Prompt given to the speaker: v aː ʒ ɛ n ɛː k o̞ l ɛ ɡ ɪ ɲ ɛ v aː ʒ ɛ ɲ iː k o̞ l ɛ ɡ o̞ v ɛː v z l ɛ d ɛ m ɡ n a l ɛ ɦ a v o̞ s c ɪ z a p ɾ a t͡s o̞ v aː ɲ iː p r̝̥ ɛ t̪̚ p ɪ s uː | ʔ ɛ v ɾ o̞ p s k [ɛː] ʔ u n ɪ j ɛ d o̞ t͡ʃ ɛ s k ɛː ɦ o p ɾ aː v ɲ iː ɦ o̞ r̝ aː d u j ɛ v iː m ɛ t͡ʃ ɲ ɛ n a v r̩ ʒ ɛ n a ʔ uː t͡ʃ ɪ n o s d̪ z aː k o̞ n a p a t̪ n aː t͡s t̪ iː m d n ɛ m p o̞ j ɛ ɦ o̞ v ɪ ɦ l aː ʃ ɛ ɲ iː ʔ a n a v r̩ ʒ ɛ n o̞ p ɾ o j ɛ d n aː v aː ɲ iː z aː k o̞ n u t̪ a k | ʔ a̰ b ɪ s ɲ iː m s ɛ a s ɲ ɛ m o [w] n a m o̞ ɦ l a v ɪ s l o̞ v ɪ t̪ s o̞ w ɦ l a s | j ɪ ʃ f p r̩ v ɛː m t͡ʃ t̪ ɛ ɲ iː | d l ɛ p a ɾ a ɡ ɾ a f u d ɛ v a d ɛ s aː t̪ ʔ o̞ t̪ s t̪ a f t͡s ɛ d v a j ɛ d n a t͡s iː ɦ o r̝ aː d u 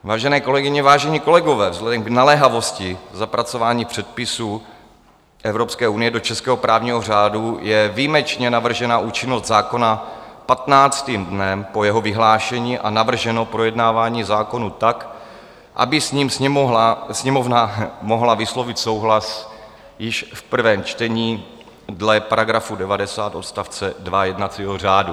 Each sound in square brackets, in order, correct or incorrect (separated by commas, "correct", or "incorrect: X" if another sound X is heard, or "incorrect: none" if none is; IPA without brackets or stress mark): correct, incorrect: v